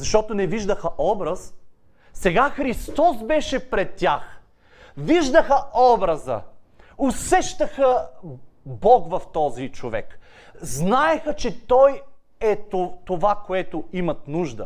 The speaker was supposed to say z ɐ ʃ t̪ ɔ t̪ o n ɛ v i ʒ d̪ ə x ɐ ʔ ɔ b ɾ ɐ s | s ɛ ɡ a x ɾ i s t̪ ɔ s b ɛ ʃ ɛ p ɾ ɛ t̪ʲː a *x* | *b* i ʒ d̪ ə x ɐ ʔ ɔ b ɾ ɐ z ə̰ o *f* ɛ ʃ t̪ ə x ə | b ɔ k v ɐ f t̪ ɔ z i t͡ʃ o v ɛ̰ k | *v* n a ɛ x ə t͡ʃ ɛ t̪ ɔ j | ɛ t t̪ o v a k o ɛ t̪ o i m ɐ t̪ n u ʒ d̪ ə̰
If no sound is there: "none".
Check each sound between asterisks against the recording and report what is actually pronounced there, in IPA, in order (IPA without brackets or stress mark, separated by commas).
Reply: x, v, s, z